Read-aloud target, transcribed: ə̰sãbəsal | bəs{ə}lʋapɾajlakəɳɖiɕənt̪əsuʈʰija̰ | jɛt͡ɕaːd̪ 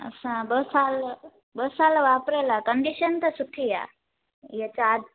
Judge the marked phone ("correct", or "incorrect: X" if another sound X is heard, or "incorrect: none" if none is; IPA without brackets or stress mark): incorrect: a